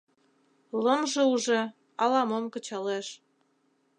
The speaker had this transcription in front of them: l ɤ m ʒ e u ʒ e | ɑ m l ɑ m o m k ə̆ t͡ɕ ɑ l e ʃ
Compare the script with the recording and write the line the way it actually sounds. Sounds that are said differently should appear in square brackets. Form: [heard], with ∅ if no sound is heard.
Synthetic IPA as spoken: l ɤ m ʒ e u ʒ e | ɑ [∅] l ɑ m o m k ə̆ t͡ɕ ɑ l e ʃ